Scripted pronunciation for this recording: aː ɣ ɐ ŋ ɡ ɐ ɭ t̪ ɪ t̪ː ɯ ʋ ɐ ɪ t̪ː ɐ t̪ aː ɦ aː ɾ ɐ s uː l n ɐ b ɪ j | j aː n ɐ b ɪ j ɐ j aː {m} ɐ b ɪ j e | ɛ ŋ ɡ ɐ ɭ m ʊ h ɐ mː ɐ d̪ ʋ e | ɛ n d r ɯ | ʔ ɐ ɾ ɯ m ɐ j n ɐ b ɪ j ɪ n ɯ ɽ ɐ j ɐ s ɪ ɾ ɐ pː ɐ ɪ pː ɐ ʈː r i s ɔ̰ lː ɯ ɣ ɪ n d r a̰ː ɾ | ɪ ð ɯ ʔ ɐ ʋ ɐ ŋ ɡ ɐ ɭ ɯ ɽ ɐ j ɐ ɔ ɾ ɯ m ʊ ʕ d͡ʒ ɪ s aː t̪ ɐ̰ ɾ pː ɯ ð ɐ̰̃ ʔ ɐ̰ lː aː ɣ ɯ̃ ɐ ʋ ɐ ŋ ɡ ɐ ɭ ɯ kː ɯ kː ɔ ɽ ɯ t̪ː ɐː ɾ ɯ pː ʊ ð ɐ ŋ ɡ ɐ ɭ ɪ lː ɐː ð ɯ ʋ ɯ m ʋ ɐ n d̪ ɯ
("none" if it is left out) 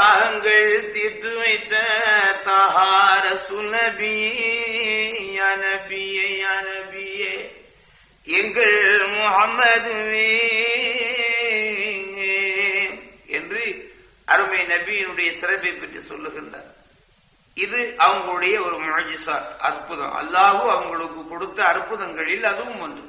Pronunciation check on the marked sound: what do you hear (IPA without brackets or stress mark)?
n